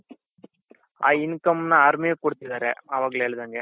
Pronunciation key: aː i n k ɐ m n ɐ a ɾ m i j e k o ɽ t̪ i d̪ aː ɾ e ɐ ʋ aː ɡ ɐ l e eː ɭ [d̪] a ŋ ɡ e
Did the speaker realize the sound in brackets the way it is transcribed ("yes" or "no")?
yes